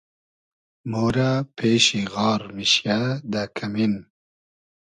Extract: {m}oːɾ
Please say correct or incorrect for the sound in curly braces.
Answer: correct